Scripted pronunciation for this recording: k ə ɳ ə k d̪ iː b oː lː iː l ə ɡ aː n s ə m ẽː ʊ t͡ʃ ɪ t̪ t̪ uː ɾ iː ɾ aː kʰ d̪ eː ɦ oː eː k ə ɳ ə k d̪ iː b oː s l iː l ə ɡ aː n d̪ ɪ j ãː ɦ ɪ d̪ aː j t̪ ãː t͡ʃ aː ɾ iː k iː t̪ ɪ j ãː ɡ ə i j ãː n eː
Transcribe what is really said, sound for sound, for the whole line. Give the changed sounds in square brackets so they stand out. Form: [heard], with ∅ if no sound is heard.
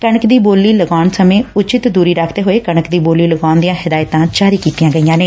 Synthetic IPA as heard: k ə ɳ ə k d̪ iː b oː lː iː l ə ɡ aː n s ə m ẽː ʊ t͡ʃ ɪ t̪ [d̪] uː ɾ iː ɾ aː kʰ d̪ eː ɦ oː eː k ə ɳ ə k d̪ iː b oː [∅] l iː l ə ɡ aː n d̪ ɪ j ãː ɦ ɪ d̪ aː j t̪ ãː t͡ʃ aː ɾ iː k iː t̪ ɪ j ãː ɡ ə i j ãː n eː